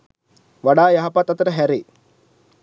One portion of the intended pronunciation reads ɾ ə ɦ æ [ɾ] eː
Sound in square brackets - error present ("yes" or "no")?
no